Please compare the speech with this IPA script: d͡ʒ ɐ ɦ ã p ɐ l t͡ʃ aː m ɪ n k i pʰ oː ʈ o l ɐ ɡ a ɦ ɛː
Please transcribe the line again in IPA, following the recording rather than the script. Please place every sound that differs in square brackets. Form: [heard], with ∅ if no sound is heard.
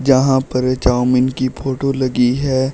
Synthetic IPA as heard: d͡ʒ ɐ ɦ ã p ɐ [ɾ] t͡ʃ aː m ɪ n k i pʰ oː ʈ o l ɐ ɡ [i] ɦ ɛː